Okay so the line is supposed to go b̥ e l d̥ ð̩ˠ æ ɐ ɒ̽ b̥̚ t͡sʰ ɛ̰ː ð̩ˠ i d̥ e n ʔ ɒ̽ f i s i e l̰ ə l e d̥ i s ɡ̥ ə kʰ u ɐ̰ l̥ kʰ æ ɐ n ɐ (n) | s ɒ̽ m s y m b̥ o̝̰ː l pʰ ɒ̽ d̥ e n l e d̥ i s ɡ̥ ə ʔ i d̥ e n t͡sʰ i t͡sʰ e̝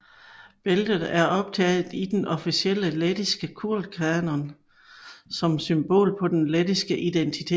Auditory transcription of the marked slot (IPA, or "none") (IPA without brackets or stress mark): n